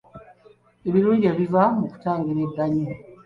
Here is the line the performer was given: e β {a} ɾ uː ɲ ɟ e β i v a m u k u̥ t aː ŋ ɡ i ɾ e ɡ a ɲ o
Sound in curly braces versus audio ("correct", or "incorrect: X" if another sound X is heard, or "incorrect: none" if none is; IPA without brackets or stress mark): incorrect: i